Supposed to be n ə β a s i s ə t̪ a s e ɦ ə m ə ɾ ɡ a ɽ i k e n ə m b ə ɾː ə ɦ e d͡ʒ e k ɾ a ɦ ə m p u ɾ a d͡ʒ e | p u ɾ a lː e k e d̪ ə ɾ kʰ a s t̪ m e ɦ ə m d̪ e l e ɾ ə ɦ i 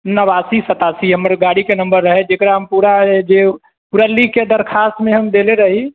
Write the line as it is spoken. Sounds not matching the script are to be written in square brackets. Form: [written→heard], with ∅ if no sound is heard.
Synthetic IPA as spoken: n ə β a s i s ə t̪ a s [e→i] ɦ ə m ə ɾ ɡ a ɽ i k e n ə m b ə ɾː ə ɦ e d͡ʒ e k ɾ a ɦ ə m p u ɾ a d͡ʒ e | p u ɾ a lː [e→i] k e d̪ ə ɾ kʰ a s t̪ m e ɦ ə m d̪ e l e ɾ ə ɦ i